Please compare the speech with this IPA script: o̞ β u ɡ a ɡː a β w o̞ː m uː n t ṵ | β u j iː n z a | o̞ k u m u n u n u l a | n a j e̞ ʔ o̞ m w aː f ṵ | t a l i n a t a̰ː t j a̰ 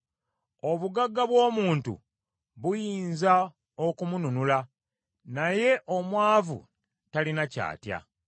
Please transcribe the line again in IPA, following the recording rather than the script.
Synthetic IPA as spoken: o̞ β u ɡ a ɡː a β w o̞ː m uː n t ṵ | β u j iː n z a | o̞ k u m u n u n u l a | n a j e̞ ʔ o̞ m w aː v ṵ | t a l i n a c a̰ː t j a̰